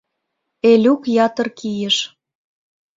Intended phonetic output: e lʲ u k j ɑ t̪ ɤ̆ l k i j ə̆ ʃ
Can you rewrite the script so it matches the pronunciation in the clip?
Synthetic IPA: e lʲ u k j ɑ t̪ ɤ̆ r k i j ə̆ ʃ